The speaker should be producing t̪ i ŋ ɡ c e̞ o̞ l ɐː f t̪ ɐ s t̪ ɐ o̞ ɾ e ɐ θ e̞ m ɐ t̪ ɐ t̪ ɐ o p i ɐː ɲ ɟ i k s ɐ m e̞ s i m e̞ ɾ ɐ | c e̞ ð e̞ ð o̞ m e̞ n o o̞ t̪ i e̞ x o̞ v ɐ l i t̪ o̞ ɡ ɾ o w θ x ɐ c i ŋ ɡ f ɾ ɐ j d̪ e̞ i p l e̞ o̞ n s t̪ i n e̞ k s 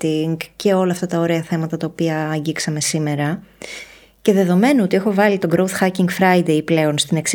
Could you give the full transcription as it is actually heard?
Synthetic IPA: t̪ i ŋ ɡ c e̞ o̞ l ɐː f t̪ ɐ t̪ ɐ o̞ ɾ e ɐ θ e̞ m ɐ t̪ ɐ t̪ ɐ o p i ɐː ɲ ɟ i k s ɐ m e̞ s i m e̞ ɾ ɐ | c e̞ ð e̞ ð o̞ m e̞ n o o̞ t̪ i e̞ x o̞ v ɐ l i t̪ o̞ ɡ ɾ o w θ x ɐ c i ŋ ɡ f ɾ ɐ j d̪ e̞ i p l e̞ o̞ n s t̪ i n e̞ k s